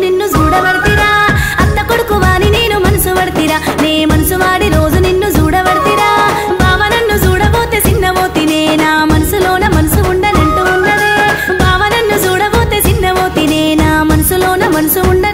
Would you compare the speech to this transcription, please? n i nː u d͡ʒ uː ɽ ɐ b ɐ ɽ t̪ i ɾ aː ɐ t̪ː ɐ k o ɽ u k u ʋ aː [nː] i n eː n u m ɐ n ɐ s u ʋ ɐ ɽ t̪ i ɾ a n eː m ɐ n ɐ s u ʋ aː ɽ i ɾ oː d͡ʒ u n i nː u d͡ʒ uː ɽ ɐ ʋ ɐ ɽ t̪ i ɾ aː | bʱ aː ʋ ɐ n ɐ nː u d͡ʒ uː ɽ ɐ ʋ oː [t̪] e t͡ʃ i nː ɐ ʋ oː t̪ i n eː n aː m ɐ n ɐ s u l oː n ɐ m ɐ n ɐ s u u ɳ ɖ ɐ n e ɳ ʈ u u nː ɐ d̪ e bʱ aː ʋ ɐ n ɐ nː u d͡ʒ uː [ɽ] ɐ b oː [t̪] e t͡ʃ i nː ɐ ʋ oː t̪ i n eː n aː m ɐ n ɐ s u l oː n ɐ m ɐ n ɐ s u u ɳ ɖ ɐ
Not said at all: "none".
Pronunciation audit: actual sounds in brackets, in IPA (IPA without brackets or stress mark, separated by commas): n, t̪, ɽ, t̪